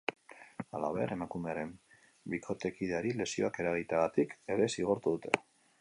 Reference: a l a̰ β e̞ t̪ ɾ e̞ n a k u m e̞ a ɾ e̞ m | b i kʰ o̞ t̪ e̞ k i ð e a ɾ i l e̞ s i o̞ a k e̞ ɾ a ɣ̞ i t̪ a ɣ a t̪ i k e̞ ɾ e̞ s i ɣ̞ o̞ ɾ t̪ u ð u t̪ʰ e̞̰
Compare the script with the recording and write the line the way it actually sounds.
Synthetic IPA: a l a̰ β e̞ ɾ e̞ m a k u m e̞ a ɾ e̞ m | b i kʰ o̞ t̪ e̞ k i ð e a ɾ i l e̞ s i o̞ a k e̞ ɾ a ɣ̞ i t̪ a ɣ a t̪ i k e̞ ɾ e̞ s i ɣ̞ o̞ ɾ t̪ u ð u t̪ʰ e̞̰